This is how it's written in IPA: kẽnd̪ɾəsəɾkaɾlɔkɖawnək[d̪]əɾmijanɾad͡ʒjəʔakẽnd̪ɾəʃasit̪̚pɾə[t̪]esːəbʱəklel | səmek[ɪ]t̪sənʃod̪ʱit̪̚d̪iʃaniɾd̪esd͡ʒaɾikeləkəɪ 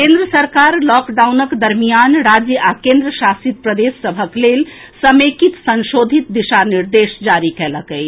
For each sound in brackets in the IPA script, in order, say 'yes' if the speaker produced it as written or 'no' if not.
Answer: yes, no, no

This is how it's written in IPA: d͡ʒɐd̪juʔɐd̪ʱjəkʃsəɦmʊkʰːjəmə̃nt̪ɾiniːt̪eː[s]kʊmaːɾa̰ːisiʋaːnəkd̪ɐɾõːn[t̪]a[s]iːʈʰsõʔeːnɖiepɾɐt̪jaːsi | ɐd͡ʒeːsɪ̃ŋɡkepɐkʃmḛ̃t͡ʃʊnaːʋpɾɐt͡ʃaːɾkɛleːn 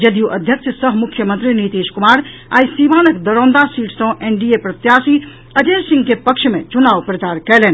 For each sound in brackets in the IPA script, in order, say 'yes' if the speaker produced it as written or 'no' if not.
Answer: no, no, yes

